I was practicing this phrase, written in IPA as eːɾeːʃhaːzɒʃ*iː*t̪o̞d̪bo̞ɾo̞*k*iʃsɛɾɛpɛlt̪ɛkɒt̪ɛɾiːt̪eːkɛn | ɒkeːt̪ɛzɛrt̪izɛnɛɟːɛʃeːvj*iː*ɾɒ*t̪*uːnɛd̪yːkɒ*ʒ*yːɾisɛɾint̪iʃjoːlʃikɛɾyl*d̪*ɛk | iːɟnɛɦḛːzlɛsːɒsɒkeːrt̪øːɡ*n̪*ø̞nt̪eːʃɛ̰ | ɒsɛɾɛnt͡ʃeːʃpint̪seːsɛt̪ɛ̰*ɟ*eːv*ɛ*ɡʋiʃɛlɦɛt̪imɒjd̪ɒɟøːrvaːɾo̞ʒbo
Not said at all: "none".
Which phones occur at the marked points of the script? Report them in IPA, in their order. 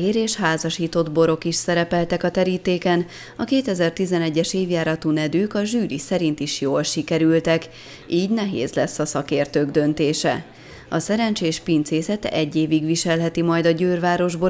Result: iː, k, aː, t̪, ʒ, t̪, d̪, ɟː, i

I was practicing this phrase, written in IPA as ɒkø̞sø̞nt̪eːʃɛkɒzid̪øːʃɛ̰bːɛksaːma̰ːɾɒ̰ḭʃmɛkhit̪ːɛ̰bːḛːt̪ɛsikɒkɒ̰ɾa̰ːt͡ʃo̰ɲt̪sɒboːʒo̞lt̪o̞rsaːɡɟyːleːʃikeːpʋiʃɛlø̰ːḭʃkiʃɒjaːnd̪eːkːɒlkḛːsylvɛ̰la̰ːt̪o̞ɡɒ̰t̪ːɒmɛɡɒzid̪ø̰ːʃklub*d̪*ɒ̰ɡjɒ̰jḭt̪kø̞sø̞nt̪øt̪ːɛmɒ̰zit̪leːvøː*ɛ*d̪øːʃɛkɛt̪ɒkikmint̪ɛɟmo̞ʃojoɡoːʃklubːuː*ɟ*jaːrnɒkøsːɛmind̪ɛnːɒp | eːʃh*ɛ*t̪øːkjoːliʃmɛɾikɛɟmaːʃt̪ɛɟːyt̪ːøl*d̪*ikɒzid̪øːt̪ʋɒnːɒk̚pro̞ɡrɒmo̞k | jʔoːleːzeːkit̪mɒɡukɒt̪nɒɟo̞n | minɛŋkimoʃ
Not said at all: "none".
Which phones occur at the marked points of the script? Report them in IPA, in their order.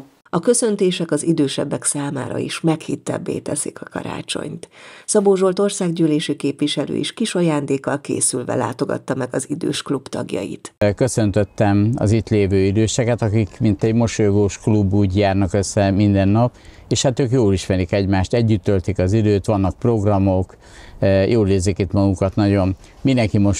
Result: t̪, i, ɟ, a, t̪

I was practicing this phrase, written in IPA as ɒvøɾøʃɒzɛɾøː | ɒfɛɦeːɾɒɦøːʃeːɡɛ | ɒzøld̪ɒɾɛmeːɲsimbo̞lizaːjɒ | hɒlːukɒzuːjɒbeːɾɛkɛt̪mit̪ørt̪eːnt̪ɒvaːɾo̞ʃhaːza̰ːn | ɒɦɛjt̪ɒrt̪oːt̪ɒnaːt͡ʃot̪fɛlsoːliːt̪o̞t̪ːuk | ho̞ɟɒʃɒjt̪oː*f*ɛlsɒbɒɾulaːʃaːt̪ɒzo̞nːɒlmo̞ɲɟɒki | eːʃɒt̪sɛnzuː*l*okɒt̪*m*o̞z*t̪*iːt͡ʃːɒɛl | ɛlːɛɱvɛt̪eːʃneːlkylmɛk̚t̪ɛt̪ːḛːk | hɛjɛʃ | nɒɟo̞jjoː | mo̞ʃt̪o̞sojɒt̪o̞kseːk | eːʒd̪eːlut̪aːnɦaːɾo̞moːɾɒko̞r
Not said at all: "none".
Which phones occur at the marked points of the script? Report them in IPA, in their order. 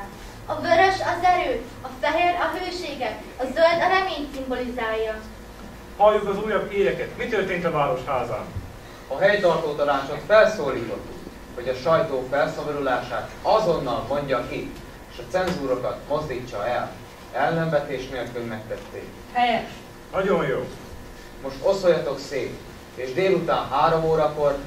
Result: f, ɾ, m, d̪

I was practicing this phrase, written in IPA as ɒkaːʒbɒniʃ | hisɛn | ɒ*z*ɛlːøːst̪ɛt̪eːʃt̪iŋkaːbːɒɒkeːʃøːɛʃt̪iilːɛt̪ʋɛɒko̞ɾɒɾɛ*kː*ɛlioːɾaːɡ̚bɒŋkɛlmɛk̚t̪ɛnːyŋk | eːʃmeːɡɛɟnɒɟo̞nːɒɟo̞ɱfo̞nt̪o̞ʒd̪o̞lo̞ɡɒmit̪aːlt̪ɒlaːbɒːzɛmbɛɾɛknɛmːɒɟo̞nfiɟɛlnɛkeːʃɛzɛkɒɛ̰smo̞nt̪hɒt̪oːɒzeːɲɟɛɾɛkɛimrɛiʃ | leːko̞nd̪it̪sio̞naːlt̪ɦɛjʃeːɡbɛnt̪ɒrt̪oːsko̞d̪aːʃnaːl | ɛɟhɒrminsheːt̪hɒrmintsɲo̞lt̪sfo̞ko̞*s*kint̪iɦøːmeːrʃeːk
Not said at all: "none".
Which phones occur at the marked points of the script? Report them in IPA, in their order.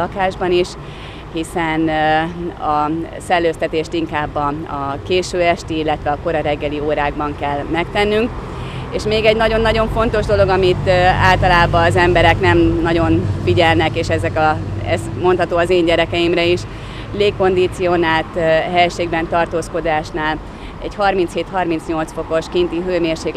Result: s, ɡː, ʃ

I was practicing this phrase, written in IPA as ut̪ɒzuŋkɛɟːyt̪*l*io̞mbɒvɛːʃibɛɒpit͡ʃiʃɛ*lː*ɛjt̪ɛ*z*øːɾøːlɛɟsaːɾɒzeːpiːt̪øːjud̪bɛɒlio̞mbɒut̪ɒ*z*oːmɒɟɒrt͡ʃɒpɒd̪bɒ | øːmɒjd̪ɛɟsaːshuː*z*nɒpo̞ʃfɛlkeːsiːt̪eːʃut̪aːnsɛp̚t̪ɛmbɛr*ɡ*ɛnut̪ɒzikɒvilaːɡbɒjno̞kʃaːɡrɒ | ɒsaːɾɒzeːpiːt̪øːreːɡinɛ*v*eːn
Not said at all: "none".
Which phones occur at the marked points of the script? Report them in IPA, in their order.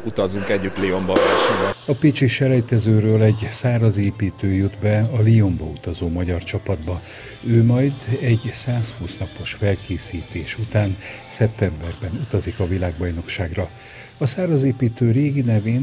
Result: l, l, z, z, s, b, v

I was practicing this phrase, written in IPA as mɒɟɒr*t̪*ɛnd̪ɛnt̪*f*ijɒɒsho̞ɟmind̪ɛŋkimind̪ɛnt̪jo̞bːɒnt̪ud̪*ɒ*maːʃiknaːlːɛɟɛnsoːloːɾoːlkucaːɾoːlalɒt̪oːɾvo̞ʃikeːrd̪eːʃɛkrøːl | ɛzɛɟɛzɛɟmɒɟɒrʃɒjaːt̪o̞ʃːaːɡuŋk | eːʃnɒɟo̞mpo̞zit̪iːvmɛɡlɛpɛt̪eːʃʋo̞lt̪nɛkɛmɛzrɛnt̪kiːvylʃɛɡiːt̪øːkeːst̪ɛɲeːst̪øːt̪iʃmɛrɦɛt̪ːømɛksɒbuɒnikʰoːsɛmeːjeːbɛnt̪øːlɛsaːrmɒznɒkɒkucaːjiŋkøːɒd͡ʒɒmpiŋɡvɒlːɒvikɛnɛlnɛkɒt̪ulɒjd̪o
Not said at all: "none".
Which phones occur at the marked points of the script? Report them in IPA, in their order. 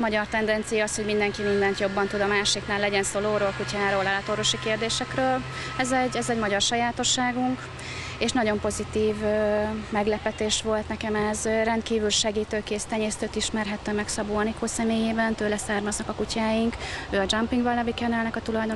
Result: t̪, s, ɒ

